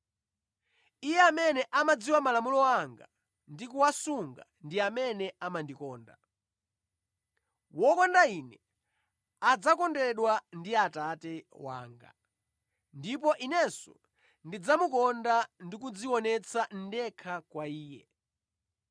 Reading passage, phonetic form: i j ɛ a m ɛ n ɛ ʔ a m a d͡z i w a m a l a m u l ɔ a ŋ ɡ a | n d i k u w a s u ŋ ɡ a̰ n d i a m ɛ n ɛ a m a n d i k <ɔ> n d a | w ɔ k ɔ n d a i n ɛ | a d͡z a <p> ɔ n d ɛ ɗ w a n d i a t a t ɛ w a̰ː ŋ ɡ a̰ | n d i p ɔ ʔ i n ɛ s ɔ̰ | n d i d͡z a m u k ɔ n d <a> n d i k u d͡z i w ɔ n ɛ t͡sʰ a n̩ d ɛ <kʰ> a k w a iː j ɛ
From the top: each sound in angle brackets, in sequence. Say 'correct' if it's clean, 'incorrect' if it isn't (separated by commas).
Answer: incorrect, incorrect, correct, correct